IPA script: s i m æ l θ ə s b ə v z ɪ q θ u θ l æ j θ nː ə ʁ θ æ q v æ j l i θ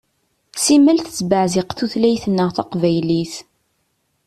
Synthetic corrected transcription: s i m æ l θ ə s b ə ʕ z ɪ q θ u θ l æ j θ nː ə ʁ θ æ q v æ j l i θ